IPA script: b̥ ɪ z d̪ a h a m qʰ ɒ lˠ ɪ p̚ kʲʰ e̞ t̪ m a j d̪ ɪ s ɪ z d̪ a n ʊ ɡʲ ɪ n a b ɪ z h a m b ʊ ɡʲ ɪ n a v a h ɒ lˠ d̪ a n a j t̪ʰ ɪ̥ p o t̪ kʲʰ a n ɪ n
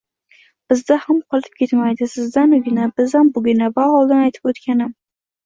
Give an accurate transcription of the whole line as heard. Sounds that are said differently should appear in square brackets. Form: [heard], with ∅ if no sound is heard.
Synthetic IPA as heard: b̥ ɪ z d̪ a h a m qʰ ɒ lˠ ɪ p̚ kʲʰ e̞ t̪ m a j d̪ ɪ s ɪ z d̪ a n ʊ ɡʲ ɪ n a b ɪ z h a m b ʊ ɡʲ ɪ n a v a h ɒ lˠ d̪ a n a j t̪ʰ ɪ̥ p o t̪ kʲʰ a n ɪ [m]

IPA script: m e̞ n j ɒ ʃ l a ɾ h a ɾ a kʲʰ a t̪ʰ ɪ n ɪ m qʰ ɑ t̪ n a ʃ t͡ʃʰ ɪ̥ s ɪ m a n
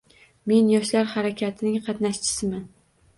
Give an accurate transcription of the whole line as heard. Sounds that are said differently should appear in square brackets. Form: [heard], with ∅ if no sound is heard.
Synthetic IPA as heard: m e̞ n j ɒ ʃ l a ɾ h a ɾ a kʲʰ a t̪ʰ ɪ n ɪ [ŋ] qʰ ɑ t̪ n a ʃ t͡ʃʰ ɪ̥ s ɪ m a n

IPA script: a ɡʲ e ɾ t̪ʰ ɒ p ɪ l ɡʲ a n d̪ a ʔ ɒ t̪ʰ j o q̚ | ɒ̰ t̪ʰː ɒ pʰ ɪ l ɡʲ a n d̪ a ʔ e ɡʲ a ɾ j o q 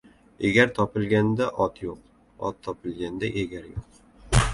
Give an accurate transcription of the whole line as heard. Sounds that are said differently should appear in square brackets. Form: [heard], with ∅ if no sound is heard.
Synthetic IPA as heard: [e] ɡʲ [a] ɾ t̪ʰ ɒ p ɪ l ɡʲ a n d̪ a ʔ ɒ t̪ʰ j o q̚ | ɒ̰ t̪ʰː ɒ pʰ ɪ l ɡʲ a n d̪ a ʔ e ɡʲ a ɾ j o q

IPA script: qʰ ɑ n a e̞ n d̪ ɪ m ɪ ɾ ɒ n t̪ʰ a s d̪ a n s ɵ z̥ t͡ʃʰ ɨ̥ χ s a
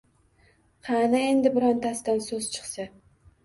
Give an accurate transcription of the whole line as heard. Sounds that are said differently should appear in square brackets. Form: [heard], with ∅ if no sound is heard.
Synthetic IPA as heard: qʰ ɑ n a e̞ n d̪ ɪ [b] ɪ ɾ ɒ n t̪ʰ a s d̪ a n s ɵ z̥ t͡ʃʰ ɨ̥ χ s a

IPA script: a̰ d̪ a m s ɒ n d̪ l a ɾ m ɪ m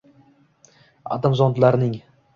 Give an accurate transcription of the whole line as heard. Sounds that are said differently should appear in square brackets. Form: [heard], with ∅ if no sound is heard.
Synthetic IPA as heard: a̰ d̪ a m [z] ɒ n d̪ l a ɾ [n] ɪ [ŋ]

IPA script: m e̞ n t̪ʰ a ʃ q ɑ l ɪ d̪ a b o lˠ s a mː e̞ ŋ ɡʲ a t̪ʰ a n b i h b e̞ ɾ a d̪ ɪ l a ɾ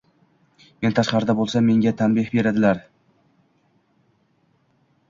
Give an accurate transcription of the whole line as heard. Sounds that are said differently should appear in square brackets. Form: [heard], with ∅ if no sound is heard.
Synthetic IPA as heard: m e̞ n t̪ʰ a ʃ q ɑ [ɾ] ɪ d̪ a b o lˠ s a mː e̞ ŋ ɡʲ a t̪ʰ a n b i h b e̞ ɾ a d̪ ɪ l a ɾ

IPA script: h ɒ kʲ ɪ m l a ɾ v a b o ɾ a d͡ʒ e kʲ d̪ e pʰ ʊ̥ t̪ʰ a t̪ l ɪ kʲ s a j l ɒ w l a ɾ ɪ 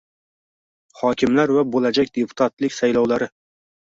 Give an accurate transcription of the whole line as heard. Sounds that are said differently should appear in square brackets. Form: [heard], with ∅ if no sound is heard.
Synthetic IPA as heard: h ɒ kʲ ɪ m l a ɾ v a b o [l] a d͡ʒ [a] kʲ d̪ e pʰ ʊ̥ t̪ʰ a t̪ l ɪ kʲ s a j l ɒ w l a ɾ ɪ

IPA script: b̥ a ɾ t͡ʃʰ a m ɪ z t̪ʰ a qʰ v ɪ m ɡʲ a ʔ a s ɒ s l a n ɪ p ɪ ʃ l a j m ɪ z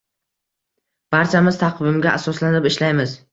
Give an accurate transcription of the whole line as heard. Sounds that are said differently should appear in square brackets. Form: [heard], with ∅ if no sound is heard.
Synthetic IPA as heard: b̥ a ɾ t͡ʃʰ a m ɪ z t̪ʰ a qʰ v ɪ m ɡʲ a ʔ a s ɒ s l a n ɪ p ɪ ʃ l a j m ɪ z

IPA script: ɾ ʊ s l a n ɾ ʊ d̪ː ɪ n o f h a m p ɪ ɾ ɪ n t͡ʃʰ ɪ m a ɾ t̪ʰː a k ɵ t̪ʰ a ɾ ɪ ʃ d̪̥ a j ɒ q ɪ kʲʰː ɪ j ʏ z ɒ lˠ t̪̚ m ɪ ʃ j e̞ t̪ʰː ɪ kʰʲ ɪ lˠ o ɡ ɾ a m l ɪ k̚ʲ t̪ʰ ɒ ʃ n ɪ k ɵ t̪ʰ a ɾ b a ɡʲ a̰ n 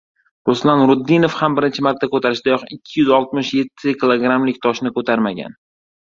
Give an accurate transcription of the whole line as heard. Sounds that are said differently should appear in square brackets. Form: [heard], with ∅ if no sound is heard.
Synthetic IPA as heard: ɾ ʊ s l a n ɾ ʊ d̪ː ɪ n o f h a m [b] ɪ ɾ ɪ n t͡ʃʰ ɪ m a ɾ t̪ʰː a k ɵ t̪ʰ a ɾ ɪ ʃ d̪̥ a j ɒ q ɪ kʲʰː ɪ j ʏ z ɒ lˠ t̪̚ m ɪ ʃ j e̞ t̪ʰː ɪ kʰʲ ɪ lˠ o ɡ ɾ a m l ɪ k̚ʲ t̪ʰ ɒ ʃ n ɪ k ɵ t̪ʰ a ɾ [m] a ɡʲ a̰ n

